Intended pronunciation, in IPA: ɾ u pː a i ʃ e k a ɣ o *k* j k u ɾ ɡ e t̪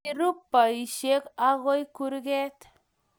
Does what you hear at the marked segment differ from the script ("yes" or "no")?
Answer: yes